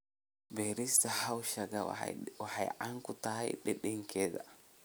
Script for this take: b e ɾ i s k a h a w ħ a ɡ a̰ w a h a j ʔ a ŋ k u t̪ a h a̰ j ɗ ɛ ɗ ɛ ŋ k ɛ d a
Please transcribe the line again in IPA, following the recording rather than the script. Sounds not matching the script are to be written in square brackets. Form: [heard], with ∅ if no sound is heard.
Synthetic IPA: b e ɾ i s [t] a h a w [ʃ] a ɡ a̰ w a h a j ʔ a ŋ k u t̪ a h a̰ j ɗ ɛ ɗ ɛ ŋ k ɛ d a